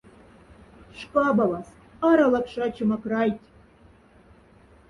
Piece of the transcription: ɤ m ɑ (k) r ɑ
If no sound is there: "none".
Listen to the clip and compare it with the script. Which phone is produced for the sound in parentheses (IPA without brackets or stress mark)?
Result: k